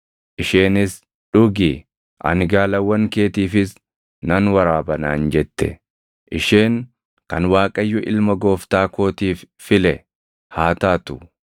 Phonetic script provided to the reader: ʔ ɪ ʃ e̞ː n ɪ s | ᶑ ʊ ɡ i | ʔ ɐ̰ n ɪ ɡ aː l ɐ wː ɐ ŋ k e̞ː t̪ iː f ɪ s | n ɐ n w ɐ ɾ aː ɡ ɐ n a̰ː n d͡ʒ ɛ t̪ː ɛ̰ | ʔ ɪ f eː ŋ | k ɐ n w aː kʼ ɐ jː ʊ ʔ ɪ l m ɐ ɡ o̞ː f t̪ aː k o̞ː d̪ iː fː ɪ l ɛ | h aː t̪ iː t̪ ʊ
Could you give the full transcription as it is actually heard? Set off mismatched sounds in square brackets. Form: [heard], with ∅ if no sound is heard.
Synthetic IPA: ʔ ɪ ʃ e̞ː n ɪ s | ᶑ ʊ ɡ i | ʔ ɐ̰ n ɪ ɡ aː l ɐ wː ɐ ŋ k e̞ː t̪ iː f ɪ s | n ɐ n w ɐ ɾ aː [b] ɐ n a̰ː n d͡ʒ ɛ t̪ː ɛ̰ | ʔ ɪ [ʃ] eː ŋ | k ɐ n w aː kʼ ɐ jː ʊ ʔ ɪ l m ɐ ɡ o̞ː f t̪ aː k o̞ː [t̪] iː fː ɪ l ɛ | h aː t̪ [aː] t̪ ʊ

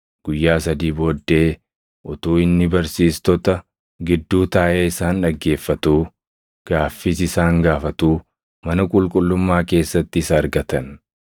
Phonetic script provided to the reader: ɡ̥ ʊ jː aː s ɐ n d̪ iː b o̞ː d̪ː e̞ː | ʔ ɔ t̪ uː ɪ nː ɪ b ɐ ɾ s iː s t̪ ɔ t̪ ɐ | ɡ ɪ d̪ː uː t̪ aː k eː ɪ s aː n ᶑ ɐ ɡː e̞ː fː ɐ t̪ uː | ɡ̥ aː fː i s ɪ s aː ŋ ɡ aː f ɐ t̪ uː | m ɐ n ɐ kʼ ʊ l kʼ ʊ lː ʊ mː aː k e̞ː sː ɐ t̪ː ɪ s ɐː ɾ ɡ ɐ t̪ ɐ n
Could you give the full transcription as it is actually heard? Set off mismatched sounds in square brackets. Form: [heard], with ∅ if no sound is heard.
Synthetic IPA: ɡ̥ ʊ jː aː s ɐ [∅] d̪ iː b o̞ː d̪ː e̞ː | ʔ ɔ t̪ uː ɪ nː ɪ b ɐ ɾ s iː s t̪ ɔ t̪ ɐ | ɡ ɪ d̪ː uː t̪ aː [ʔ] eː ɪ s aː n ᶑ ɐ ɡː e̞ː fː ɐ t̪ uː | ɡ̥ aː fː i s ɪ s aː ŋ ɡ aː f ɐ t̪ uː | m ɐ n ɐ kʼ ʊ l kʼ ʊ lː ʊ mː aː k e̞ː sː ɐ t̪ː ɪ s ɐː ɾ ɡ ɐ t̪ ɐ n

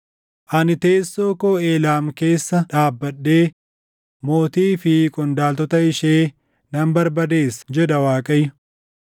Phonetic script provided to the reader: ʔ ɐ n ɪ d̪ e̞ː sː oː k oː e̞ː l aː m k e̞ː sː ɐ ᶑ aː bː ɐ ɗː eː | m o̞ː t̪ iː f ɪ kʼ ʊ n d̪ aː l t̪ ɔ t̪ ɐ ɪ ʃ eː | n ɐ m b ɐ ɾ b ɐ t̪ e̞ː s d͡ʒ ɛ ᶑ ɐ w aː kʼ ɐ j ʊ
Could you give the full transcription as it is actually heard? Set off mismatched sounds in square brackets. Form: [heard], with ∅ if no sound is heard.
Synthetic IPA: ʔ ɐ n ɪ [t̪] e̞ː sː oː k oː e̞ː l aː m k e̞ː sː ɐ ᶑ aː bː ɐ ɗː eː | m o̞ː t̪ iː f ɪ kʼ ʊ n d̪ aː l t̪ ɔ t̪ ɐ ɪ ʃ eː | n ɐ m b ɐ ɾ b ɐ [d̪] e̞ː s d͡ʒ ɛ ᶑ ɐ w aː kʼ ɐ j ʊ

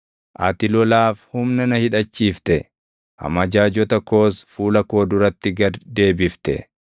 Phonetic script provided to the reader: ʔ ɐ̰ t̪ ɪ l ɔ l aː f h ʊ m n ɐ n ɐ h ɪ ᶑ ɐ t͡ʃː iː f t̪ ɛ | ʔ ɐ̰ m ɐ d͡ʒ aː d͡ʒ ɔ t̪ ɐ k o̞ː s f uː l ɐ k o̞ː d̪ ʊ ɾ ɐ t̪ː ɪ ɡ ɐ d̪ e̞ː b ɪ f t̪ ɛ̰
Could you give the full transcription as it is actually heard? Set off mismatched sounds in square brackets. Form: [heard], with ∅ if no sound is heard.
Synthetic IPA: ʔ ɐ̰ t̪ ɪ l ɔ l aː f h ʊ m n ɐ n ɐ h ɪ ᶑ ɐ t͡ʃː iː f t̪ ɛ | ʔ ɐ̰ m ɐ d͡ʒ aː d͡ʒ ɔ t̪ ɐ k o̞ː s f uː l ɐ k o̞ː d̪ ʊ ɾ ɐ t̪ː ɪ ɡ ɐ d̪ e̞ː b ɪ f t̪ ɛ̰

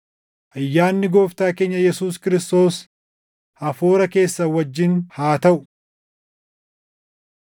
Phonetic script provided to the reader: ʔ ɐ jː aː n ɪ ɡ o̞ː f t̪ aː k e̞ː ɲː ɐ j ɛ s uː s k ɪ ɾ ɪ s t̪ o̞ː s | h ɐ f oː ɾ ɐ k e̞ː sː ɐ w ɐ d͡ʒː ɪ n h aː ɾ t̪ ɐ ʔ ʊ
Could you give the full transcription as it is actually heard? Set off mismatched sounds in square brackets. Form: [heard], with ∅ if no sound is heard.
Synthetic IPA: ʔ ɐ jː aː [nː] ɪ ɡ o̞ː f t̪ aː k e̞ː ɲː ɐ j ɛ s uː s k ɪ ɾ ɪ s t̪ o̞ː s | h ɐ f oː ɾ ɐ k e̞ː sː ɐ w ɐ d͡ʒː ɪ n h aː [∅] t̪ ɐ ʔ ʊ

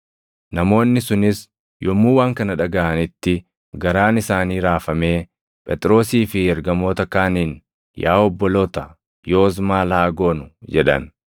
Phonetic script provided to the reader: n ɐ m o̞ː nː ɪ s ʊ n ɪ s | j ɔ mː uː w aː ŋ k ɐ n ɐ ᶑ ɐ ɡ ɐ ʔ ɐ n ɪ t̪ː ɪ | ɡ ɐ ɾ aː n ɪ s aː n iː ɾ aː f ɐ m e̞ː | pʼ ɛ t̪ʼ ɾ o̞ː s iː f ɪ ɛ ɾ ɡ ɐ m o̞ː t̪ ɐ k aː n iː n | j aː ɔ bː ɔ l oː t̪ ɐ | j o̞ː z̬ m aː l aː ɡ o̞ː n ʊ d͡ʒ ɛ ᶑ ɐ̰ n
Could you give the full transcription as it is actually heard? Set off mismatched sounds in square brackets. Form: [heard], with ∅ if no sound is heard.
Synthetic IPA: n ɐ m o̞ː nː ɪ s ʊ n ɪ s | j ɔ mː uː w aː ŋ k ɐ n ɐ ᶑ ɐ ɡ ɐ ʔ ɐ n ɪ t̪ː ɪ | ɡ ɐ ɾ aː n ɪ s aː n iː ɾ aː f ɐ m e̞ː | pʼ ɛ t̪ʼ ɾ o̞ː s iː f ɪ ɛ ɾ ɡ ɐ m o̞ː t̪ ɐ k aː n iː n | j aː ɔ bː ɔ l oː t̪ ɐ | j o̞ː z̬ m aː l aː ɡ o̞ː n ʊ d͡ʒ ɛ ᶑ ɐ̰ n

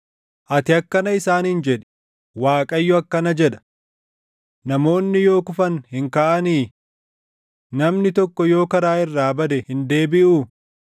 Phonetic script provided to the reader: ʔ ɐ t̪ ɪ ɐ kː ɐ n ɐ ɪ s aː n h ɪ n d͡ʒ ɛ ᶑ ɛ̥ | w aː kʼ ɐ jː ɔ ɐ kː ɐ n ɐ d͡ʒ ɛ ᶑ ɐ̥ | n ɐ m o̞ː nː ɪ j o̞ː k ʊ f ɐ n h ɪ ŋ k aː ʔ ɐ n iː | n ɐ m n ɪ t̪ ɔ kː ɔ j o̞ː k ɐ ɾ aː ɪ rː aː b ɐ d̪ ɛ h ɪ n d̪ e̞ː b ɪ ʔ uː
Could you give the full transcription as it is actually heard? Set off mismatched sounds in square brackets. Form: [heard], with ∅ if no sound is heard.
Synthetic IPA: ʔ ɐ t̪ ɪ ɐ kː ɐ n ɐ ɪ s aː n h ɪ n d͡ʒ ɛ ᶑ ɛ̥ | w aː kʼ ɐ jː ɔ ɐ kː ɐ n ɐ d͡ʒ ɛ ᶑ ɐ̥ | n ɐ m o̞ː nː ɪ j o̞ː k ʊ f ɐ n h ɪ ŋ k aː ʔ ɐ n iː | n ɐ m n ɪ t̪ ɔ kː ɔ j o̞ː k ɐ ɾ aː ɪ rː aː b ɐ d̪ ɛ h ɪ n d̪ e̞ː b ɪ ʔ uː

